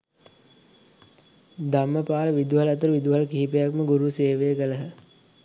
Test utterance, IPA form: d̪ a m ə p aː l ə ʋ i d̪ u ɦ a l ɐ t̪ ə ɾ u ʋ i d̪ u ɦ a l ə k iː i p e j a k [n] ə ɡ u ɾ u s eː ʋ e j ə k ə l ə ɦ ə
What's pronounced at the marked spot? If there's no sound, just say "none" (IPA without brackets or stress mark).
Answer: m